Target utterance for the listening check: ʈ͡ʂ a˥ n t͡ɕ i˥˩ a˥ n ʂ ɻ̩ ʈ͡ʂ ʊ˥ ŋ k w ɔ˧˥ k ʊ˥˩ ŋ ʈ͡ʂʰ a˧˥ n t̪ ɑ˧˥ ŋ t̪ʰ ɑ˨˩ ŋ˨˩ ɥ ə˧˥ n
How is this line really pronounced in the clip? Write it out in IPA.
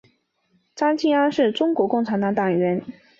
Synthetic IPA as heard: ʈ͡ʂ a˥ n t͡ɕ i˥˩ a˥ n ʂ ɻ̩ ʈ͡ʂ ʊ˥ ŋ k w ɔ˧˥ k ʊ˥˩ ŋ ʈ͡ʂʰ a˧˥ n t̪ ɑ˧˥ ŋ t̪ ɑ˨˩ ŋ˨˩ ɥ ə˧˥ n